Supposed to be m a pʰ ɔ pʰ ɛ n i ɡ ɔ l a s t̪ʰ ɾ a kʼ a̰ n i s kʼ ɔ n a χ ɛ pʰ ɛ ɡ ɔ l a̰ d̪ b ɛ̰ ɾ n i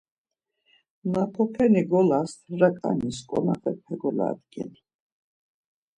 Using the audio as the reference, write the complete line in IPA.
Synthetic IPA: n a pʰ ɔ pʰ ɛ n i ɡ ɔ l a s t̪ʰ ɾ a kʼ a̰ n i s kʼ ɔ n a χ ɛ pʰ ɛ ɡ ɔ l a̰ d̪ ɡ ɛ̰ n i